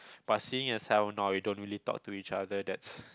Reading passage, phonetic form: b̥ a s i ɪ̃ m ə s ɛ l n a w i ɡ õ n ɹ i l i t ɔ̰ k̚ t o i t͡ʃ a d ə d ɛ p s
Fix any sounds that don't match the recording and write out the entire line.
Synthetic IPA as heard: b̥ a s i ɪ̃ ŋ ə s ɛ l n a w i d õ n ɹ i l i t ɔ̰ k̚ t u i t͡ʃ a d ə d ɛ t s

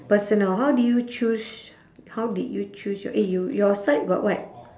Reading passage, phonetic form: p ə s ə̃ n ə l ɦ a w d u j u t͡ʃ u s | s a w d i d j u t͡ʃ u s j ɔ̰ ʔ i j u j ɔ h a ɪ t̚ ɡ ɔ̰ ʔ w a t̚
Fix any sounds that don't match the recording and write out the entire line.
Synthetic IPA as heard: p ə s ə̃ n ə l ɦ a w d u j u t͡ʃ u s | h a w d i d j u t͡ʃ u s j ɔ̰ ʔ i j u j ɔ s a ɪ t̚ ɡ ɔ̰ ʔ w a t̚

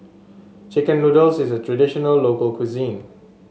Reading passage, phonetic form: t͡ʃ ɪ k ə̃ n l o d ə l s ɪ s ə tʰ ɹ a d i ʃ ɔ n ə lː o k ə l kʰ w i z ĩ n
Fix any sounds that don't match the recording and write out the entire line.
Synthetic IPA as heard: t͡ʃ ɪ k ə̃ n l u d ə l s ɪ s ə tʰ ɹ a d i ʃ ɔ n ə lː o k ə l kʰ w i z ĩ n

